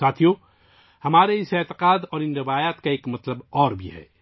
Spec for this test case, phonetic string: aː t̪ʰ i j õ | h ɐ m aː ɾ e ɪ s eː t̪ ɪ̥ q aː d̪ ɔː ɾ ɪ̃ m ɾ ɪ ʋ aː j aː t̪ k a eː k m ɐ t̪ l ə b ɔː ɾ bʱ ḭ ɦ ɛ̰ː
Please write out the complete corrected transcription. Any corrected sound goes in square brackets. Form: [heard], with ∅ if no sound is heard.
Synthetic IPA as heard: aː t̪ʰ i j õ | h ɐ m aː ɾ e ɪ s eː t̪ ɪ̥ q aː d̪ ɔː ɾ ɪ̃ [n] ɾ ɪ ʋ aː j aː t̪ k a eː k m ɐ t̪ l ə b ɔː ɾ bʱ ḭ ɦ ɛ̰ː